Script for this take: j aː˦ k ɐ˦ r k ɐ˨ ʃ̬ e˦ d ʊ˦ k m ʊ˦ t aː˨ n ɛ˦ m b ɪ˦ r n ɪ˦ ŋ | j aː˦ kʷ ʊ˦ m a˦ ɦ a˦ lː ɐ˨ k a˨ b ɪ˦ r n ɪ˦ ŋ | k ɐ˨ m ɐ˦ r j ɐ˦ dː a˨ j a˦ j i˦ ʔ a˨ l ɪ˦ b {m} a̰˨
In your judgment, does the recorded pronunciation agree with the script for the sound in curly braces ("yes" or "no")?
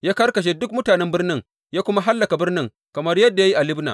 no